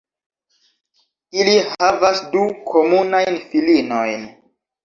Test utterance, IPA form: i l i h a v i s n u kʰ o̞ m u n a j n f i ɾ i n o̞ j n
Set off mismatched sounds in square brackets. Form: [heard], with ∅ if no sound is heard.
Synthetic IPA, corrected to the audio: i l i h a v [a] s [d] u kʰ o̞ m u n a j n f i [l] i n o̞ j n